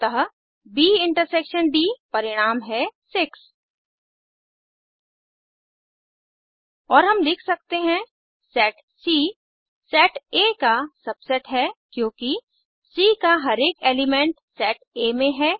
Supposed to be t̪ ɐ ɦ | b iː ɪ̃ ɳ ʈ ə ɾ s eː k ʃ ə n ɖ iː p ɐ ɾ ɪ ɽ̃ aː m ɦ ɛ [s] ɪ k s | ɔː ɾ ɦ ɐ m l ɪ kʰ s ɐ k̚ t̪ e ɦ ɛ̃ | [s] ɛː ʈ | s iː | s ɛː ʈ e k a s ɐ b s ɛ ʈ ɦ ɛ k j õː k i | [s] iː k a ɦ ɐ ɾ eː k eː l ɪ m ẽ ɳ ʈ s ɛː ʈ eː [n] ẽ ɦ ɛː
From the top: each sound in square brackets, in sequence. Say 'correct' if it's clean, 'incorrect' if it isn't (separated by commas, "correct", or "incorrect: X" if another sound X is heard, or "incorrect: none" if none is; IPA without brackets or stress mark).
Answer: correct, correct, correct, incorrect: m